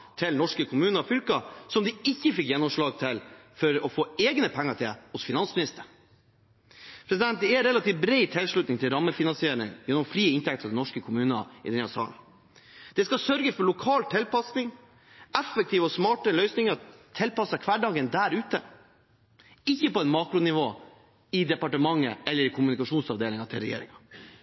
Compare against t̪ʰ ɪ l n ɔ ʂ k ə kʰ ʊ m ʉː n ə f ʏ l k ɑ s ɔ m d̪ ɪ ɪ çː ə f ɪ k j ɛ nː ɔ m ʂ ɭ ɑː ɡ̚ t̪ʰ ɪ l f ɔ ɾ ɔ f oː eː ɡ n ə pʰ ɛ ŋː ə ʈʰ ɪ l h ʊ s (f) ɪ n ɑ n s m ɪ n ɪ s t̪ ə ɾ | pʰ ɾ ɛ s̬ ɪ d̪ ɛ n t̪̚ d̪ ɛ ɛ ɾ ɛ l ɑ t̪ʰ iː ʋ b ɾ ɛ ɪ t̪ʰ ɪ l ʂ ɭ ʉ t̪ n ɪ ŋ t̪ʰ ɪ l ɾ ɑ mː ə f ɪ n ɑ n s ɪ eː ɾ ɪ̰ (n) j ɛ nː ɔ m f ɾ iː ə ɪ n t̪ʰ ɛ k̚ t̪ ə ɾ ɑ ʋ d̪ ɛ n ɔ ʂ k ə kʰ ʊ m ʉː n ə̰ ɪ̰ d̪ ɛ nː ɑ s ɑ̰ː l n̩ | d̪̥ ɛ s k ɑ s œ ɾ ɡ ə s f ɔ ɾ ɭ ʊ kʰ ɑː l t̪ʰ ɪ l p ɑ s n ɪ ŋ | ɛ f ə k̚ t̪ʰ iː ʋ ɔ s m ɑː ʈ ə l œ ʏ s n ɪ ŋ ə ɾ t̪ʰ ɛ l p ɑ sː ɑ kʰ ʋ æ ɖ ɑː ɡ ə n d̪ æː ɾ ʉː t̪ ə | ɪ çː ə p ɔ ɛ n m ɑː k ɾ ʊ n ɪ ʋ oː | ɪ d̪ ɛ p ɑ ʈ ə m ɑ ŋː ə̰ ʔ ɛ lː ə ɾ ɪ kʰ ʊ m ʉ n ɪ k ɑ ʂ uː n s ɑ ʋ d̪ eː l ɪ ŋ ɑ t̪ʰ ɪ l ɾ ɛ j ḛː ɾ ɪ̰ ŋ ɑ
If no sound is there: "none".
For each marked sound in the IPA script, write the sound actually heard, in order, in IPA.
f, ŋ

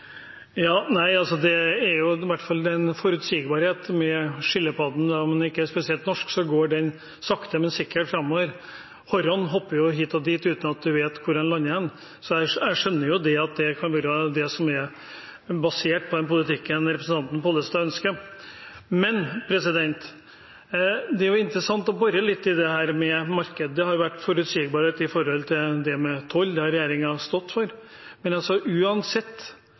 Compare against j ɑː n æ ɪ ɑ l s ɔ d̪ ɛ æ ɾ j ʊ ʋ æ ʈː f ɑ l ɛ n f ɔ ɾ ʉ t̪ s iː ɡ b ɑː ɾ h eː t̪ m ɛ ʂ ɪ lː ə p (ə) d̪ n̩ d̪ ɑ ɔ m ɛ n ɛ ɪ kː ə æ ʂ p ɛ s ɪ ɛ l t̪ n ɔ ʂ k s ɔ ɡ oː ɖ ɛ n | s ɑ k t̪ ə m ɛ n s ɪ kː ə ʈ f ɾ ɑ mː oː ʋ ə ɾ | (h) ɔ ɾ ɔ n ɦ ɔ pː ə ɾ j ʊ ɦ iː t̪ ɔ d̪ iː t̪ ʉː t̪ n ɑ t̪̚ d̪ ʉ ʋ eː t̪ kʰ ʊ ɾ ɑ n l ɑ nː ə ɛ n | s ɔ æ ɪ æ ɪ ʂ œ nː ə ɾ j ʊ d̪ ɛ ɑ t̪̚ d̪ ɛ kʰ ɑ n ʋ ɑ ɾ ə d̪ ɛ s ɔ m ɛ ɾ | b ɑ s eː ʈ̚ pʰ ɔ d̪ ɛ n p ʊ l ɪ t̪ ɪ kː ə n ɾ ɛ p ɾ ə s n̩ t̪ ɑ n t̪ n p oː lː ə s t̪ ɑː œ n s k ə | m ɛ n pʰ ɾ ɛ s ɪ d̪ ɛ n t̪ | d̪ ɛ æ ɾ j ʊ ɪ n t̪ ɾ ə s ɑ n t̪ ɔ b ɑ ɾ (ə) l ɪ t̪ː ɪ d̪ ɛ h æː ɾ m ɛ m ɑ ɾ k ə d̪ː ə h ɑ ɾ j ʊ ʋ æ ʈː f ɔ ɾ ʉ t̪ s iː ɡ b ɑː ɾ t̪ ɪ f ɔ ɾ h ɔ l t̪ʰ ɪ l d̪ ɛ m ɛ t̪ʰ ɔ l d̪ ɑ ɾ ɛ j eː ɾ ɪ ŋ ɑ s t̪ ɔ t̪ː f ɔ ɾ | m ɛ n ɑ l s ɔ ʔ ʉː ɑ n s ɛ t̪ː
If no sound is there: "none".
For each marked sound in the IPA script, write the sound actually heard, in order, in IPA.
ɑ, h, ə

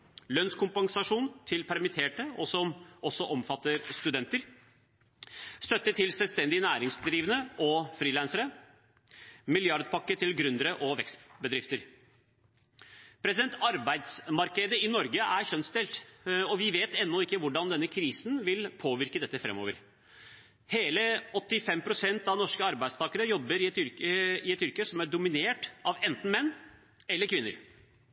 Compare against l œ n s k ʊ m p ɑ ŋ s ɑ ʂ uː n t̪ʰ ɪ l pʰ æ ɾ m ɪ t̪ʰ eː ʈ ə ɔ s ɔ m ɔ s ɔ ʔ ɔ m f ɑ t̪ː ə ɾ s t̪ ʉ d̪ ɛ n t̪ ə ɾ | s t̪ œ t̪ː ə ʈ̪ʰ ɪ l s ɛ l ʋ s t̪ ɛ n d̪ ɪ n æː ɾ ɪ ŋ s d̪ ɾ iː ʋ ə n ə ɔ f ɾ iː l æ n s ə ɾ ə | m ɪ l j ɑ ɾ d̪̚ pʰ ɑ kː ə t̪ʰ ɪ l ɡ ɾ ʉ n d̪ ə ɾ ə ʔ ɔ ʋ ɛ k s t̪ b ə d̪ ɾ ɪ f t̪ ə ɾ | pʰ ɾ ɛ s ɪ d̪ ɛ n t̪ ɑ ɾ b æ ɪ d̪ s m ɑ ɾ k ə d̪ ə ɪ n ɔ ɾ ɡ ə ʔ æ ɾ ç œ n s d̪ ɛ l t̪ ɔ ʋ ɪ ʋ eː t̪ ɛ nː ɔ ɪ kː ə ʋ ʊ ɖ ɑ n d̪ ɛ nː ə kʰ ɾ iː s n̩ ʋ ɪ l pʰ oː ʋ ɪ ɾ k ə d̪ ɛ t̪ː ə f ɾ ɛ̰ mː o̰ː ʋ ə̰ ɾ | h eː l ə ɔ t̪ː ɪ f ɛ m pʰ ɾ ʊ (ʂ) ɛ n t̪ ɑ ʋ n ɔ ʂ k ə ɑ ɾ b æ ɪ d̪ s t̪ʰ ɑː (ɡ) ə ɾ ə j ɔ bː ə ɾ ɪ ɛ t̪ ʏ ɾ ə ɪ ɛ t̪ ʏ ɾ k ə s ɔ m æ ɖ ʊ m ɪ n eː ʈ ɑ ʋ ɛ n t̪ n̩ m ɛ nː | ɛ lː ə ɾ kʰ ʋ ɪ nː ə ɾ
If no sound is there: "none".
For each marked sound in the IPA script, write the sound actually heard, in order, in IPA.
s, k

